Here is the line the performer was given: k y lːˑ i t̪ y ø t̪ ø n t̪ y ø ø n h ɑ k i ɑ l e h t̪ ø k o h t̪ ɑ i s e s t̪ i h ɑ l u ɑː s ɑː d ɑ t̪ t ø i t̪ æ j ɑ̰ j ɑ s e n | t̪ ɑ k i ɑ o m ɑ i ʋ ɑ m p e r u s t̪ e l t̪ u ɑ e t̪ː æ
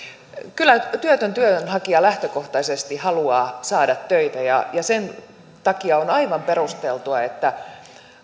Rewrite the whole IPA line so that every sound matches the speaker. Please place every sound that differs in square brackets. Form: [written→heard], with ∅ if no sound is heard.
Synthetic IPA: k y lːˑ [i→æ] t̪ y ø t̪ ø n t̪ y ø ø n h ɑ k i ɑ l [e→æ] h t̪ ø k o h t̪ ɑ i s e s t̪ i h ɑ l u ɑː s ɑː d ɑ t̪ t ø i t̪ æ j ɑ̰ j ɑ s e n | t̪ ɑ k i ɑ o [m→n] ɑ i ʋ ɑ m p e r u s t̪ e l t̪ u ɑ e t̪ː æ